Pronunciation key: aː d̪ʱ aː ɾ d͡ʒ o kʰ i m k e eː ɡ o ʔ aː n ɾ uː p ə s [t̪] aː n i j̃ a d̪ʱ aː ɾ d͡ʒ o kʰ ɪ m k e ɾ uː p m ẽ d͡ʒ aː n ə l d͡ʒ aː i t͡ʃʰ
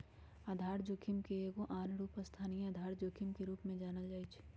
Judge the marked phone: incorrect: t̪ʰ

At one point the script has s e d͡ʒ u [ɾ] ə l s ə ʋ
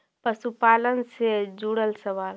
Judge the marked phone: incorrect: ɽ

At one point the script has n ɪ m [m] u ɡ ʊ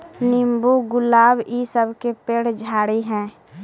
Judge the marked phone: incorrect: b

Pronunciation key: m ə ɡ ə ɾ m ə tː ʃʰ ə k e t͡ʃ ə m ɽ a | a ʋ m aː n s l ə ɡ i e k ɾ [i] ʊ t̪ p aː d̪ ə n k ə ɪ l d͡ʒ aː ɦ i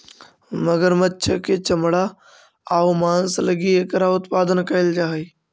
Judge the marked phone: incorrect: a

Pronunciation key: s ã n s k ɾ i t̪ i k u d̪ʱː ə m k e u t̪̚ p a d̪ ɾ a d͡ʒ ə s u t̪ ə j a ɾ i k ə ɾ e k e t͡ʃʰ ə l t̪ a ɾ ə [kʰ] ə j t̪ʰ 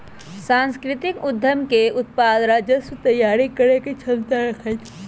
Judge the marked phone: correct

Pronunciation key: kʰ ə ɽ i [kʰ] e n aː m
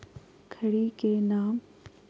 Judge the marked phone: incorrect: k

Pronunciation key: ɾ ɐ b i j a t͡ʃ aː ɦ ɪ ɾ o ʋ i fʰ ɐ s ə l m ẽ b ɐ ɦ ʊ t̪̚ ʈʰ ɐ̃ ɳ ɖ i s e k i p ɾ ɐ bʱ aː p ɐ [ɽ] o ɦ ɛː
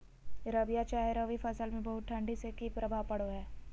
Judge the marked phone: correct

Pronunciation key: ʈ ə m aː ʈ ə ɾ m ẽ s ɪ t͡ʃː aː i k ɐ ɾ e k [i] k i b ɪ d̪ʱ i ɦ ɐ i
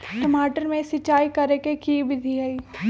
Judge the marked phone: incorrect: e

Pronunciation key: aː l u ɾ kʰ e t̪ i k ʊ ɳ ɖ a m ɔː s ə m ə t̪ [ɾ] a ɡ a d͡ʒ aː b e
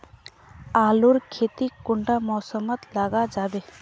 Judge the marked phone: incorrect: l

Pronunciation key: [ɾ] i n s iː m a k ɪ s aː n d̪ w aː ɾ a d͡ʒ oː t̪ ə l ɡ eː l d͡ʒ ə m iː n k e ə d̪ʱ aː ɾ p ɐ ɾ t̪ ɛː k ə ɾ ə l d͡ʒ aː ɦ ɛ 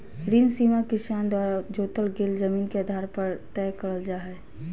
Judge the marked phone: correct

